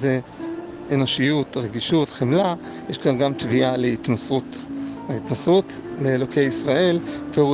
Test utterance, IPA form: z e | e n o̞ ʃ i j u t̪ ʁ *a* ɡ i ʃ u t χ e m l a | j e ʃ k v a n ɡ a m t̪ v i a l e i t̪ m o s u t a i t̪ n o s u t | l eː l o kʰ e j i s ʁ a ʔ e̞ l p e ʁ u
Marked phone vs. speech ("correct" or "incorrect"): incorrect